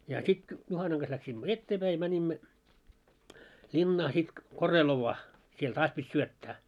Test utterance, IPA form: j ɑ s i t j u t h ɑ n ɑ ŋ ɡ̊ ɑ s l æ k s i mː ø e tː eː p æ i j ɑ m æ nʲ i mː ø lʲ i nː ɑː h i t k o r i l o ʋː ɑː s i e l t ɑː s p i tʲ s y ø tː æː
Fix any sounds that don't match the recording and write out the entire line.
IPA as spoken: j ɑ s i t j u h ɑ n ɑ ŋ ɡ̊ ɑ s l æ k s i mː ø e tː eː p æ i j ɑ m æ nʲ i mː ø lʲ i nː ɑː s i t k o r e l o ʋː ɑː s i e l t ɑː s p i tʲ s y ø tː æː

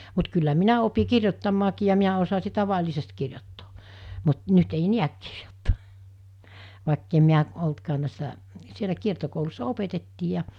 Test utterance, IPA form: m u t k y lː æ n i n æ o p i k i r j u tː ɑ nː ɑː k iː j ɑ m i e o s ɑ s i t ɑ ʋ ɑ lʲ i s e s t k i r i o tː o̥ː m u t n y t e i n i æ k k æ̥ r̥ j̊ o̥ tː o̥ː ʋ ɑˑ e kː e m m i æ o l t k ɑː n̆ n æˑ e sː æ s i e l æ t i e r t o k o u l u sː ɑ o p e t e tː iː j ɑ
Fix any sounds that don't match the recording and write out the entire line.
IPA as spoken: m u t k y lː æ m i n æ o p i k i r j o tː ɑ mː ɑː k iː j ɑ m i æ o s ɑ s i t ɑ ʋ ɑ lʲ i s e s t k i r j o tː o̥ː m u t n y t e i n i æ k k i̥ r̥ j̊ o̥ tː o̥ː ʋ ɑˑ e kː e m m i æ o l t k ɑː n̆ n æˑ e sː æ s i e l æ k i e r t o k o u l u sː ɑ o p e t e tː iː j ɑ

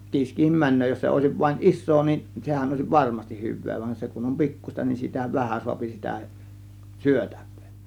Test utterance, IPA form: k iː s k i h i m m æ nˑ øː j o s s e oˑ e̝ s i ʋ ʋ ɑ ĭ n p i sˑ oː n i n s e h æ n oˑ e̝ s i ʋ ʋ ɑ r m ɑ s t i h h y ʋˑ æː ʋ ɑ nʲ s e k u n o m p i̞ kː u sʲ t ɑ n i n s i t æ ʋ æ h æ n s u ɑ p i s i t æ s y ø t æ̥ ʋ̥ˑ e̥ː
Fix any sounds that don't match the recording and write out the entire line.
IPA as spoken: k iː s k i h i m m æ nˑ øː j o s s e oˑ e̝ s i ʋ ʋ ɑ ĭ n ʔ i sˑ oː n i n s e h æ n oˑ e̝ s i ʋ ʋ ɑ r m ɑ s t i h h y ʋˑ eː ʋ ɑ nʲ s e k u n o m p i̞ kː u sʲ t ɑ n i n s i t æ ʋ æ h æ n s u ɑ p i s i t æ s y ø t æ̥ ʋ̥ˑ e̥ː

